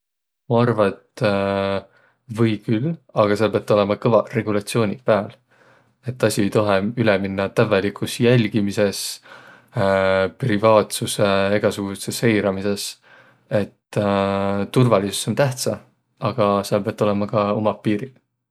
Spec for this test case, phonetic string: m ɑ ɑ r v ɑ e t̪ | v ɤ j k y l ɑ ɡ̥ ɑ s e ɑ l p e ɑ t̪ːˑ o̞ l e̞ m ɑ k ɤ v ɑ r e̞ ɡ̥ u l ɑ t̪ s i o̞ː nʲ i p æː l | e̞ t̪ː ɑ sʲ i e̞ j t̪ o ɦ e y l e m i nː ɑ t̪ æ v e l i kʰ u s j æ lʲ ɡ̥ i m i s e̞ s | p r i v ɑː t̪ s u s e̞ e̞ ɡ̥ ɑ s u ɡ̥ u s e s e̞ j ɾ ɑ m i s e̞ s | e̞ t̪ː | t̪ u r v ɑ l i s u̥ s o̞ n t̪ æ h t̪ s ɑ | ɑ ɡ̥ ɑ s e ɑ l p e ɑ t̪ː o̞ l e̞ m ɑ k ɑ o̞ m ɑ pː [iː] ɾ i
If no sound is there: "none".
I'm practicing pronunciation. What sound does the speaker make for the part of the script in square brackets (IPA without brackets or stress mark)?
iː